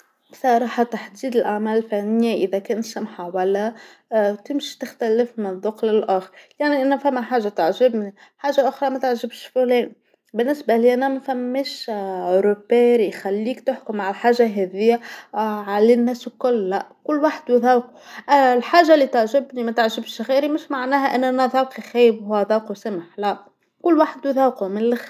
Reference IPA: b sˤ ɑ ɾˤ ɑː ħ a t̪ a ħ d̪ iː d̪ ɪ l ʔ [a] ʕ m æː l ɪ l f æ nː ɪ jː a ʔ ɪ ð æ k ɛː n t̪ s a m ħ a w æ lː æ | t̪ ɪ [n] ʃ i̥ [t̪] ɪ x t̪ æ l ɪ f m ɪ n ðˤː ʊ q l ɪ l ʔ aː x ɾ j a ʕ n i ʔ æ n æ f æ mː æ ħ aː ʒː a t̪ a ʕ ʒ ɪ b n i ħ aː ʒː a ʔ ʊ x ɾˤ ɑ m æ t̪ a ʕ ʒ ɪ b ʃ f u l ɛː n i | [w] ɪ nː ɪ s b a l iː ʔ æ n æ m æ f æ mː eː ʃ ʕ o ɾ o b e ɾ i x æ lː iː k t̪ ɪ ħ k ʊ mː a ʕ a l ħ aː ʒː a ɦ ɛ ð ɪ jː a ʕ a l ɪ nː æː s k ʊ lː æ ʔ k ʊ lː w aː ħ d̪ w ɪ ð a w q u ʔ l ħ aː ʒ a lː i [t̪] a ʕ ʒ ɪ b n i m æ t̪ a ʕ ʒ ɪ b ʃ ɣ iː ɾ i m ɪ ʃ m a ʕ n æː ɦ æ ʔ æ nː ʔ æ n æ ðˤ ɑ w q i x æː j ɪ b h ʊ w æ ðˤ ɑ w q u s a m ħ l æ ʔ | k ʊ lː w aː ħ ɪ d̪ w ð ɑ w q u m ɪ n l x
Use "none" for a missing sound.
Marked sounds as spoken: a, m, t̪, b, t̪

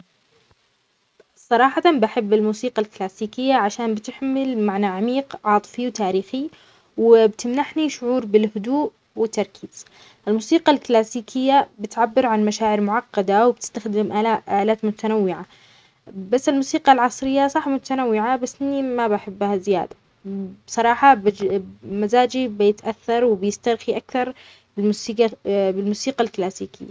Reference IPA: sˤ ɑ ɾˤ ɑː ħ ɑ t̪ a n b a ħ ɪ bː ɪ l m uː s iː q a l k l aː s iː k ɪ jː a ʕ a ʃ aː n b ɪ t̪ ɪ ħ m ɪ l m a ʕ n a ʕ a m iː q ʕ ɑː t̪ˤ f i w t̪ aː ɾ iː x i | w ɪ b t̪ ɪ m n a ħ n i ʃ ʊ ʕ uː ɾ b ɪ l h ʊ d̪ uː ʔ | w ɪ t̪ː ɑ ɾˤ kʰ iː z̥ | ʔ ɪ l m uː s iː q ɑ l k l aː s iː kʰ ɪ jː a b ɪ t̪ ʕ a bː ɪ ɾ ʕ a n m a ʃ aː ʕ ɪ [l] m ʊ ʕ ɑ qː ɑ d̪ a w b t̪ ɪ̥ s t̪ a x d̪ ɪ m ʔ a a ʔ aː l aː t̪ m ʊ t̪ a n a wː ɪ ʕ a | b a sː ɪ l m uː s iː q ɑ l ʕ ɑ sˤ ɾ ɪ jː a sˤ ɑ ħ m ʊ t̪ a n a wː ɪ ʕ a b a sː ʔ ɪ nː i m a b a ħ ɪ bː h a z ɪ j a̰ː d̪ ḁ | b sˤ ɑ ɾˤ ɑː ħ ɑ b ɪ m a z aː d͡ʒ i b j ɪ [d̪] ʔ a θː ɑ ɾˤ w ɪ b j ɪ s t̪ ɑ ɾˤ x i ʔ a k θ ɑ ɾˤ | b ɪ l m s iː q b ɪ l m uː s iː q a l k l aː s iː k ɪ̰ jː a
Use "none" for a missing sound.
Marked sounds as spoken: ɾ, t̪

